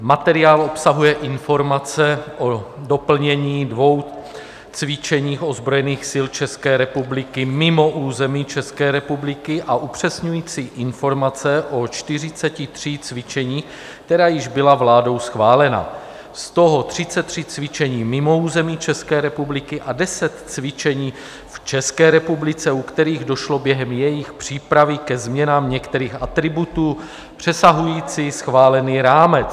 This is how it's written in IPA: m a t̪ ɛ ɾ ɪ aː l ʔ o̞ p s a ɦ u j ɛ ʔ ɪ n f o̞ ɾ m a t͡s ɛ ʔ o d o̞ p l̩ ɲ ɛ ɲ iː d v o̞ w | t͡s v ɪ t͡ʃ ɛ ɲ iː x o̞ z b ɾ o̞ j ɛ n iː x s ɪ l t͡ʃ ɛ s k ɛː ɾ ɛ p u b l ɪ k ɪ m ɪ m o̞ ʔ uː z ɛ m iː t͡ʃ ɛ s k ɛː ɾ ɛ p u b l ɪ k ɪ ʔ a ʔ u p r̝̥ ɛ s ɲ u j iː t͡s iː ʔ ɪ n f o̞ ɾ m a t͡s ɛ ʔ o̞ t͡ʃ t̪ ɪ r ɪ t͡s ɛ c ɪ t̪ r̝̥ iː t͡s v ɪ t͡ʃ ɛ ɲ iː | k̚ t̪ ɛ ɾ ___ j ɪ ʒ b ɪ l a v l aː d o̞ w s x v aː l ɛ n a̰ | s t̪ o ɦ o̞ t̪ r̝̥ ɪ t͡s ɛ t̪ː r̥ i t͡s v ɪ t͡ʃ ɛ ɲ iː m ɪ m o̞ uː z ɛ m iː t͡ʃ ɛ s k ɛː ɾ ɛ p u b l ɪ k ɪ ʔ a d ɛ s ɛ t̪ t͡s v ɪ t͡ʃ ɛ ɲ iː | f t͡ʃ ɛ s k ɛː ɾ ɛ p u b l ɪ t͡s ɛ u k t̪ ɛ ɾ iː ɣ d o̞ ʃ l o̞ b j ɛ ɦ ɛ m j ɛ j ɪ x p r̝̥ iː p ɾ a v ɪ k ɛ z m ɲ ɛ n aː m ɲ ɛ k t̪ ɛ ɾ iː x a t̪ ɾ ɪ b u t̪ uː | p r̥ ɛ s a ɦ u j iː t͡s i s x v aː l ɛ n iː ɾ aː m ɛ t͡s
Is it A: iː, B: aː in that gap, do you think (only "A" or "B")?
B